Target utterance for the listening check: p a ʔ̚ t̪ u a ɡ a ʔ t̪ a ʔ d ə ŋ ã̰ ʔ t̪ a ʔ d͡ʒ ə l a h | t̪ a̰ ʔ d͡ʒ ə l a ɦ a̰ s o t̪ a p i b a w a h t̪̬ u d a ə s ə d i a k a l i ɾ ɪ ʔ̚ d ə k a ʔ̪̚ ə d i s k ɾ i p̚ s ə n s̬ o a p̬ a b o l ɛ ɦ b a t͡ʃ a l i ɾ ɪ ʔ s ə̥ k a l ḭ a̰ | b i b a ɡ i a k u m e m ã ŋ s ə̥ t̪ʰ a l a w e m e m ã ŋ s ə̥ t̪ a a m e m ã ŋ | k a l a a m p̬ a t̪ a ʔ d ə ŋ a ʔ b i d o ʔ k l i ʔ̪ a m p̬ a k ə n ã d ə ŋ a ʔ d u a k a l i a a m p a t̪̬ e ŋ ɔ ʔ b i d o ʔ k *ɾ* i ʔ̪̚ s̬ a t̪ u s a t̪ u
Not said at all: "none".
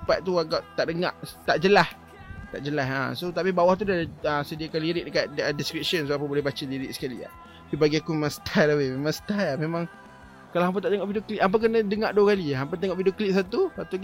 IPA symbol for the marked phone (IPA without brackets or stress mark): l